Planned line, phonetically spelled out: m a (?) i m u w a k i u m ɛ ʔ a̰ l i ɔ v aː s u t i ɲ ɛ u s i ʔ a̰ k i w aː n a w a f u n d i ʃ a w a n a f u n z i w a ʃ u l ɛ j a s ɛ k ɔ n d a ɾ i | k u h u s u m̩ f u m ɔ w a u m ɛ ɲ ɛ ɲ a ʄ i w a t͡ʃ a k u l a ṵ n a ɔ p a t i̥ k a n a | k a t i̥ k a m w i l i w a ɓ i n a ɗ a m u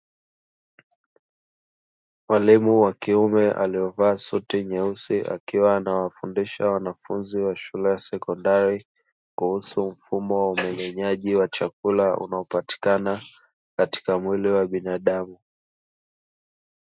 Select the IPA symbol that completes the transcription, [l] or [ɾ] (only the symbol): l